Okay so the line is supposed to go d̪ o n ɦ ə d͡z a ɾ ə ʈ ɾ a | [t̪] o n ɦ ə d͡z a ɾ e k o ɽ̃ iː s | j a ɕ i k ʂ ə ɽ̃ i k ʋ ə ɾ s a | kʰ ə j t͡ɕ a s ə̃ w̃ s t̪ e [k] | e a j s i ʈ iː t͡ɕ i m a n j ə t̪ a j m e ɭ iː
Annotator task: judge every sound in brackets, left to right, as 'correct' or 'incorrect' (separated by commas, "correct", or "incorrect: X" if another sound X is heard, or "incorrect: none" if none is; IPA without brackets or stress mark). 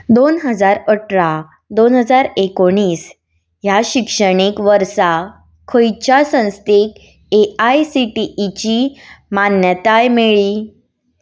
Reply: incorrect: d̪, correct